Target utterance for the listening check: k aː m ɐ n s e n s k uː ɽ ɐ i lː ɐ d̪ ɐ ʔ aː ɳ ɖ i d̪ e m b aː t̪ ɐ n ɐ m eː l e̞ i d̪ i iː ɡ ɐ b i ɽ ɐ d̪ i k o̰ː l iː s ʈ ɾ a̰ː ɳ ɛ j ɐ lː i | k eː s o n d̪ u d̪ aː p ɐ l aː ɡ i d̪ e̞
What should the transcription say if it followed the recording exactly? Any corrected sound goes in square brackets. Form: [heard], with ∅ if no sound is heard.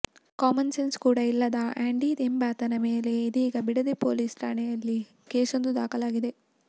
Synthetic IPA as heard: k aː m ɐ n s e n s k uː ɽ ɐ i lː ɐ d̪ ɐ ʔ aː ɳ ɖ i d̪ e m b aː t̪ ɐ n ɐ m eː l e̞ i d̪ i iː ɡ ɐ b i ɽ ɐ d̪ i [p] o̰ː l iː s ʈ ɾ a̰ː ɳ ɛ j ɐ lː i | k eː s o n d̪ u d̪ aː [k] ɐ l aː ɡ i d̪ e̞